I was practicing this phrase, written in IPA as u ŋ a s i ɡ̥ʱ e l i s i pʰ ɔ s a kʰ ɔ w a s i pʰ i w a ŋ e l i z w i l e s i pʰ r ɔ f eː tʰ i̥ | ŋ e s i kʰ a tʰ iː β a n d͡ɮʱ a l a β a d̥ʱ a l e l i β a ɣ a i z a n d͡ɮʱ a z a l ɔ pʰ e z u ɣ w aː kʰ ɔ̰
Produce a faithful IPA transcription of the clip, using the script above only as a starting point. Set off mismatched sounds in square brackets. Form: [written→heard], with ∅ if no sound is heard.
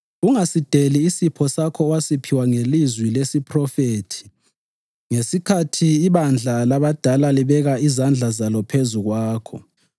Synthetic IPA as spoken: u ŋ a s i [ɡ̥ʱ→d̥ʱ] e l [i→iː] s i pʰ ɔ s a kʰ ɔ w a s i pʰ i w a ŋ e l i z w i l e s i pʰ r ɔ f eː tʰ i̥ | ŋ e s i kʰ a tʰ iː β a n d͡ɮʱ a l a β a d̥ʱ a l [e→a] l i β [a→ɛ] ɣ a i z a n d͡ɮʱ a z a l ɔ pʰ e z u ɣ w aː kʰ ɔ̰